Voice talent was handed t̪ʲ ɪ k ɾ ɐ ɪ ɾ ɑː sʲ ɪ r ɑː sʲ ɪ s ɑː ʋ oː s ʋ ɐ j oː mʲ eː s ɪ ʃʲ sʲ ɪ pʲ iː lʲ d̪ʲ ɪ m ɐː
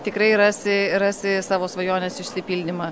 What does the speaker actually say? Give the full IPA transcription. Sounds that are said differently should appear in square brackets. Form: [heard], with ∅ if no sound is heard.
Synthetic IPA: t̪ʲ ɪ k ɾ ɐ ɪ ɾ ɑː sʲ ɪ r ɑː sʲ ɪ s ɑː ʋ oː s ʋ ɐ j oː [nʲ] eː s ɪ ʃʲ sʲ ɪ pʲ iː lʲ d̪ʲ ɪ m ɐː

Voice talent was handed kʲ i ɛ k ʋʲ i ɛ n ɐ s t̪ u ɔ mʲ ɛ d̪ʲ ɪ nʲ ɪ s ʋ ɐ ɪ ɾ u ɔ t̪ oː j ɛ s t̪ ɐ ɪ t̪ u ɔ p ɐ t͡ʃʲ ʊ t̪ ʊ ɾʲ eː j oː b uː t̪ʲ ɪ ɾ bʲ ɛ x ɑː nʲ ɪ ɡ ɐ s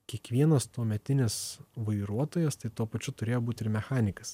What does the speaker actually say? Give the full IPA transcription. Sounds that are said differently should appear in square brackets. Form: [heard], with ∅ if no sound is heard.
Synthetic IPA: kʲ i ɛ k ʋʲ i ɛ n ɐ s t̪ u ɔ mʲ ɛ [t̪ʲ] ɪ nʲ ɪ s ʋ ɐ ɪ ɾ u ɔ t̪ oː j ɛ s t̪ ɐ ɪ t̪ u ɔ p ɐ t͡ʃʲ ʊ t̪ ʊ ɾʲ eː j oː b uː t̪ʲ ɪ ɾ [mʲ] ɛ x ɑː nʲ ɪ [k] ɐ s

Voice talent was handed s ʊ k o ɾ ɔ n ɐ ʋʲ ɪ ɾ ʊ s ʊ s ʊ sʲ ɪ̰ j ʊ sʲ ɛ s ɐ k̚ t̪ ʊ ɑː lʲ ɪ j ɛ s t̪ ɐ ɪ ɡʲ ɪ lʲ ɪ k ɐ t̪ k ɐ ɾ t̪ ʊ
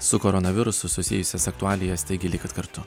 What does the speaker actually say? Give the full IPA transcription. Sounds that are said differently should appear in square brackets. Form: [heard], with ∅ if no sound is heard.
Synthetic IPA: s ʊ k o ɾ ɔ n ɐ ʋʲ ɪ ɾ ʊ s ʊ s ʊ sʲ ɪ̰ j ʊ sʲ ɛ s ɐ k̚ t̪ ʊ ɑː lʲ ɪ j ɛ s t̪ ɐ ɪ ɡʲ ɪ lʲ ɪ k ɐ t̪ k ɐ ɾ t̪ ʊ

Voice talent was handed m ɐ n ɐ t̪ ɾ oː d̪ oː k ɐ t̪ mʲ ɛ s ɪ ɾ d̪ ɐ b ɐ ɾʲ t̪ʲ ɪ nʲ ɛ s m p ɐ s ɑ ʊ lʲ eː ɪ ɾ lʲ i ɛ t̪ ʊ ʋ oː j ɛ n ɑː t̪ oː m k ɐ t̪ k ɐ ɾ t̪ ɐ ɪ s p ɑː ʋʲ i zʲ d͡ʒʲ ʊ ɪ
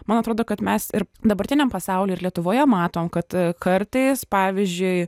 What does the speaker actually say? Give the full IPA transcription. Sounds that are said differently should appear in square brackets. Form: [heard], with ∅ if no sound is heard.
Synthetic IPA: m ɐ n ɐ t̪ ɾ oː d̪ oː k ɐ t̪ mʲ ɛ s ɪ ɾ d̪ ɐ b ɐ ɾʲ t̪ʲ ɪ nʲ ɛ [∅] m p ɐ s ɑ ʊ lʲ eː ɪ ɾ lʲ i ɛ t̪ ʊ ʋ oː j ɛ [m] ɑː t̪ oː m k ɐ t̪ k ɐ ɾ t̪ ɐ ɪ s p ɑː ʋʲ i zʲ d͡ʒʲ ʊ ɪ

